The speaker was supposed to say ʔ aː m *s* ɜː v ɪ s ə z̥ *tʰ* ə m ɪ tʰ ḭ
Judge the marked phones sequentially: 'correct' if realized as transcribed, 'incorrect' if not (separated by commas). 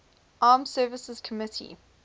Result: correct, incorrect